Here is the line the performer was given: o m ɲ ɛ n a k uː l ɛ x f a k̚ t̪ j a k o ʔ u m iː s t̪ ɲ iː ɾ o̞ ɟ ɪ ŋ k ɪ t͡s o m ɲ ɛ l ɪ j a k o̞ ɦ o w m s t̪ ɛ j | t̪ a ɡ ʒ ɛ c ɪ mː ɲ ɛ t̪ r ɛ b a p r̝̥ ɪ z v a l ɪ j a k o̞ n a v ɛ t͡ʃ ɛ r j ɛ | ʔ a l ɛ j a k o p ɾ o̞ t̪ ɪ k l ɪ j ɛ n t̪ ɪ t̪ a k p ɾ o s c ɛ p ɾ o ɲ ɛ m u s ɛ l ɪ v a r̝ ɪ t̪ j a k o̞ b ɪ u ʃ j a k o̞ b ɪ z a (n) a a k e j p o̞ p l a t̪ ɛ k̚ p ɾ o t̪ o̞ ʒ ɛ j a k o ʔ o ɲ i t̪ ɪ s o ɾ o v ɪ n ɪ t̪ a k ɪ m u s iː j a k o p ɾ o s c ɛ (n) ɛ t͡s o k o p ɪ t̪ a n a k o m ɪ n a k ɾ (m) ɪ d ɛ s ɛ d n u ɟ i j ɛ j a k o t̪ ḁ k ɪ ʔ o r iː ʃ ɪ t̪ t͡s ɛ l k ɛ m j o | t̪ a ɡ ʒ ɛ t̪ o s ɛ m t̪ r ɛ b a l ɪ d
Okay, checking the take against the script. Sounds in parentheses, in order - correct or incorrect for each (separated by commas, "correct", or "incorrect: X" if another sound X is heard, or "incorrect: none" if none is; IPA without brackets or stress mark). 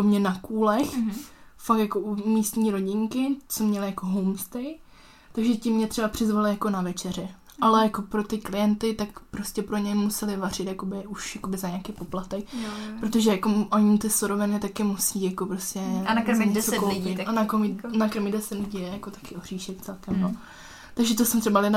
incorrect: ɲ, incorrect: ɲ, correct